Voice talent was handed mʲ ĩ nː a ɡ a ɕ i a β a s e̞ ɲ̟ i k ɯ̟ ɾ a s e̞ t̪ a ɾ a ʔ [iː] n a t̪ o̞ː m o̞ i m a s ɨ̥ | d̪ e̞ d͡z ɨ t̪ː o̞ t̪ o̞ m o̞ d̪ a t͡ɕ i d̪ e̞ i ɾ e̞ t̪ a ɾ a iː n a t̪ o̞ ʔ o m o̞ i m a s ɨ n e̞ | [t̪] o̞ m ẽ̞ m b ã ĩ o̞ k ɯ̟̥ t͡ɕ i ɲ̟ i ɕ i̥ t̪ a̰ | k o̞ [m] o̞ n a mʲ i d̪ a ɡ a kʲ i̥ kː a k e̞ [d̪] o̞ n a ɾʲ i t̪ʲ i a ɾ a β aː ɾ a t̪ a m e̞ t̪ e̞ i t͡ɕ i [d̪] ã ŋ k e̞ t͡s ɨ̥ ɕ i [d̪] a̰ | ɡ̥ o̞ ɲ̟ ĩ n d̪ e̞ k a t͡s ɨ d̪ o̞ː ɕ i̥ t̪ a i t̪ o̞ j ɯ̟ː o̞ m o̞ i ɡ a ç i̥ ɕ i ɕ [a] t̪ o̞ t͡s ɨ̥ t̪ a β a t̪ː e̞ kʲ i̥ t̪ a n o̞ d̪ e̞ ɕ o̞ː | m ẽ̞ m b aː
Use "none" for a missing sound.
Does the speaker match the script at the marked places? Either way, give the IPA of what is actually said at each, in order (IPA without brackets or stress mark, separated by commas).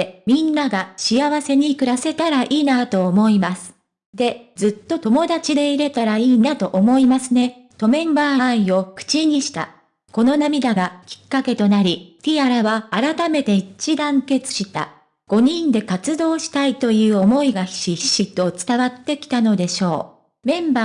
iː, t̪, n, t̪, d̪, t̪, i